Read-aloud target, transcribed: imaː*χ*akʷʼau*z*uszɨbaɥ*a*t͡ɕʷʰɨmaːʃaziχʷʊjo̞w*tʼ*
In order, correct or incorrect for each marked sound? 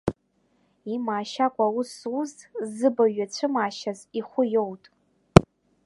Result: incorrect: ʃ, incorrect: s, correct, correct

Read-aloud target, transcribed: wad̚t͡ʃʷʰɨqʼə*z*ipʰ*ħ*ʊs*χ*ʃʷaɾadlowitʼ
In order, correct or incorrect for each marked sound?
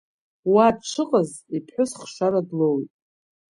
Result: correct, correct, correct

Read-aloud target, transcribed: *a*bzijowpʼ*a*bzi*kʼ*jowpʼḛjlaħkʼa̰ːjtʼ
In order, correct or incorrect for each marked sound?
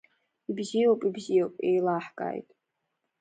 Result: incorrect: i, incorrect: i, incorrect: none

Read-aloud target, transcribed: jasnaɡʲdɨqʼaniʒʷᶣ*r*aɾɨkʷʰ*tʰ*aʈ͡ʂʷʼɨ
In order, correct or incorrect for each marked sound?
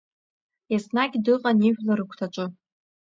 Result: incorrect: l, correct

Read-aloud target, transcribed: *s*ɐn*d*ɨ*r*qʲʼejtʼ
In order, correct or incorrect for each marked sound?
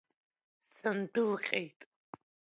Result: correct, correct, incorrect: l

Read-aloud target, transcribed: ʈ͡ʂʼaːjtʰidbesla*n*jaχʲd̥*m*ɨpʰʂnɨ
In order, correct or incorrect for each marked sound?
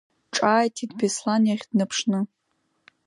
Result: correct, incorrect: n

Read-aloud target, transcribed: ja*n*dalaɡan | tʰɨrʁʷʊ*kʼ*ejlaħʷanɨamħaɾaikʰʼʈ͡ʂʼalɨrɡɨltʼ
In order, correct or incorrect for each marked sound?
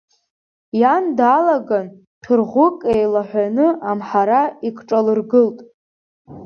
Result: correct, correct

